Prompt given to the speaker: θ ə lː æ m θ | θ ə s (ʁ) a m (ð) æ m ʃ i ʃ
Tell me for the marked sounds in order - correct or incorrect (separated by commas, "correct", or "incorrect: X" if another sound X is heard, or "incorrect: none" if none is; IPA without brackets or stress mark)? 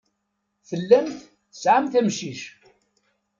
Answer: incorrect: ʕ, incorrect: θ